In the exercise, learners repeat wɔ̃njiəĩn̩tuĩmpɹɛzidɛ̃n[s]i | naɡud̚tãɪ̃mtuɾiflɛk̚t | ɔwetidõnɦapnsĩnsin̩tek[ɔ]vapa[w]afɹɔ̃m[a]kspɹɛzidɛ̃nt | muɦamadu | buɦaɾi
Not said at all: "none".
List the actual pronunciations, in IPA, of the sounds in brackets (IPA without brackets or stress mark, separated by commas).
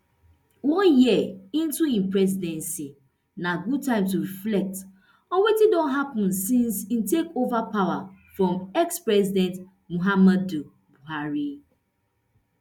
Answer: s, o, w, ɛ